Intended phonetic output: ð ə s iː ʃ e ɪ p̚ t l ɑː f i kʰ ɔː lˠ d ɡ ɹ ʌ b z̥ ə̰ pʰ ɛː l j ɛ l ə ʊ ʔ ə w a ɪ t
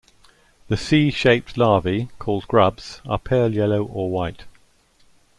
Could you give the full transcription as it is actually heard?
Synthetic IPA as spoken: ð ə s iː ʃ e ɪ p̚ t l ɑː v i kʰ ɔː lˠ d ɡ ɹ ʌ b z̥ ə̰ pʰ ɛː l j ɛ l ə ʊ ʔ ə w a ɪ t

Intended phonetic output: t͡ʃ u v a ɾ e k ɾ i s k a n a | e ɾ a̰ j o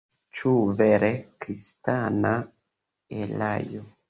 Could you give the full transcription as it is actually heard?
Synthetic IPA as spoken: t͡ʃ u v e ɾ e k ɾ i s t a n a | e l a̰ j o

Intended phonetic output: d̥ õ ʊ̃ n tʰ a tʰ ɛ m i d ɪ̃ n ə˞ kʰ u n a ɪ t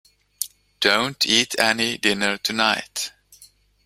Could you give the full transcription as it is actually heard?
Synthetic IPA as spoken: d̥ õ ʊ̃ n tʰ i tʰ ɛ n i d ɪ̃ n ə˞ tʰ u n a ɪ t

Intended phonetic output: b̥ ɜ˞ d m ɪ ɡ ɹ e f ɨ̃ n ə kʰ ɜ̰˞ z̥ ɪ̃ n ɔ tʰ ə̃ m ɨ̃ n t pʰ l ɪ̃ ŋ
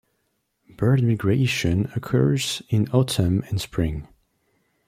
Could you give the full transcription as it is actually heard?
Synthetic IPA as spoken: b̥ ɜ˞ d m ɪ ɡ ɹ e ʃ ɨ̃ n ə kʰ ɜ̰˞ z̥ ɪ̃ n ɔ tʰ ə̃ m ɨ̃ n s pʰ ɹ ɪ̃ ŋ

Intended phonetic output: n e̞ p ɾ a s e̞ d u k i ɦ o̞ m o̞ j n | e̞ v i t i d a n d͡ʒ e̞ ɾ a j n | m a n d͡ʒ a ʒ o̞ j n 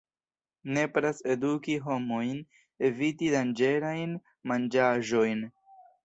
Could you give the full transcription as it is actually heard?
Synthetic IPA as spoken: n e̞ p ɾ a s e̞ d u k i ɦ o̞ m o̞ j n | e̞ v i t i d a n d͡ʒ e̞ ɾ a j n | m a n d͡ʒ a ʒ o̞ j n

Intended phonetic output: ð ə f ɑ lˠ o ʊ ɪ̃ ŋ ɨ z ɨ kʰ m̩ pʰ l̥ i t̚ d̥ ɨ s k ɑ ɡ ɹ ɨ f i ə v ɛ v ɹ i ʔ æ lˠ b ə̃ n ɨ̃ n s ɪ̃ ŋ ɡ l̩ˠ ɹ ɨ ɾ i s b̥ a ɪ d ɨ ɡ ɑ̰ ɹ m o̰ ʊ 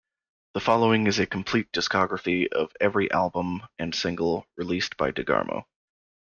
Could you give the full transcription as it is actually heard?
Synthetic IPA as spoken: ð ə f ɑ lˠ o ʊ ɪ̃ ŋ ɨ z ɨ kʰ m̩ pʰ l̥ i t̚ d̥ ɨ s k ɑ ɡ ɹ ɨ f i ʌ v ɛ v ɹ i ʔ æ lˠ b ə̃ m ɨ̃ n s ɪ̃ ŋ ɡ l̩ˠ ɹ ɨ l i s b̥ a ɪ d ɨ ɡ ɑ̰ ɹ m o̰ ʊ

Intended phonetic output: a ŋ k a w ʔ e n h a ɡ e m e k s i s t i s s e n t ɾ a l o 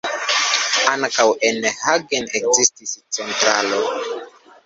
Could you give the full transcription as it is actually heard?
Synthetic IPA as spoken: a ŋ k a w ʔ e n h a ɡ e n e k z i s t i s t͡s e n t ɾ a l o

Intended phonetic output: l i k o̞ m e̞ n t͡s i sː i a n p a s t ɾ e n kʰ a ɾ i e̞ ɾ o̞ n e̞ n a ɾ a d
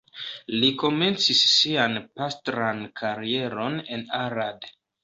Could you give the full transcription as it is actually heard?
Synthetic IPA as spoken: l i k o̞ m e̞ n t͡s i sː i a n p a s t ɾ a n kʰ a ɾ i e̞ ɾ o̞ n e̞ n a ɾ a d

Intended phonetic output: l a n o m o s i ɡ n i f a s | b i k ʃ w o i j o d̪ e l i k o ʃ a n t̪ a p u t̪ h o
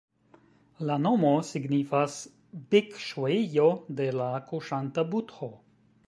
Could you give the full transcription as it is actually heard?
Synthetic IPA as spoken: l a n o m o s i ɡ n i f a s | b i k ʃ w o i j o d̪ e l a k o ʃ a n t̪ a b u t̪ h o

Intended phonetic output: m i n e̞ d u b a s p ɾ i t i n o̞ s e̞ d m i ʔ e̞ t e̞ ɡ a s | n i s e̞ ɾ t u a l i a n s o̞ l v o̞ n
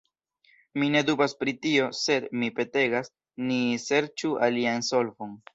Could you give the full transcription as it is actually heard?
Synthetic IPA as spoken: m i n e̞ d u b a s p ɾ i t i o̞ s e̞ d m i p e̞ t e̞ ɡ a s | n i s e̞ ɾ t͡ʃ u a l i a n s o̞ l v o̞ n

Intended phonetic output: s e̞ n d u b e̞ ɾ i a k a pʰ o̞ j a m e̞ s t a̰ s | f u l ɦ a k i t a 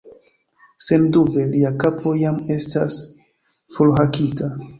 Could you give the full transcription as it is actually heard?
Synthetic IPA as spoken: s e̞ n d u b e̞ l i a k a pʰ o̞ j a m e̞ s t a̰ s | f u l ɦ a k i t a

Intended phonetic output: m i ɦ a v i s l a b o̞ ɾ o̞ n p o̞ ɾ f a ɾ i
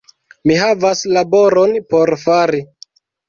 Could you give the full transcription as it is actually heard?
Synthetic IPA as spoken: m i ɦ a v a s l a b o̞ ɾ o̞ n p o̞ ɾ f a ɾ i

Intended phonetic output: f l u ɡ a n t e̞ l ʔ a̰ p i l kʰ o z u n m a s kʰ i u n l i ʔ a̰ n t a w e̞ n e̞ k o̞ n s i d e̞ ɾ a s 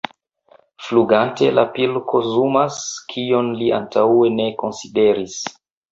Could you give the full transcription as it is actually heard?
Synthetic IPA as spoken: f l u ɡ a n t e̞ l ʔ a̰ p i l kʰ o z u m a s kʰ i o n l i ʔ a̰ n t a w e̞ n e̞ k o̞ n s i d e̞ ɾ i s

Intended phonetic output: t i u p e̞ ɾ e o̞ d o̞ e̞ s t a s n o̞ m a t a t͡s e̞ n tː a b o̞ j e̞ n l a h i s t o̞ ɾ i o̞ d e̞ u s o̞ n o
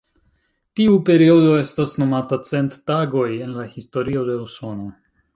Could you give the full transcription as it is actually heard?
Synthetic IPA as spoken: t i u p e̞ ɾ i o̞ d o̞ e̞ s t a s n o̞ m a t a t͡s e̞ n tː a ɡ o̞ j e̞ n l a h i s t o̞ ɾ i o̞ d e̞ u s o̞ n o

